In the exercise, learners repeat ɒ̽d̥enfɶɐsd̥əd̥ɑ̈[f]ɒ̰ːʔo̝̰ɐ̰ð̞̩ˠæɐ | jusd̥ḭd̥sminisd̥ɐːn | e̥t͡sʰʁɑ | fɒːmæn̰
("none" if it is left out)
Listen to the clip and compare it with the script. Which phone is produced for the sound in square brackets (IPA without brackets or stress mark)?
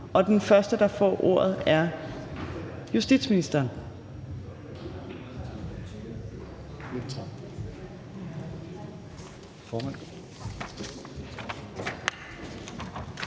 f